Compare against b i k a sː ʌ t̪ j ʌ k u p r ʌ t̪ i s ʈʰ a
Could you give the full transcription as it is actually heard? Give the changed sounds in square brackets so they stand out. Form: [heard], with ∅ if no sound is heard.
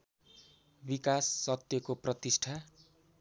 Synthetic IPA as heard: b i k a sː ʌ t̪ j ʌ k [o] p r ʌ t̪ i s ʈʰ a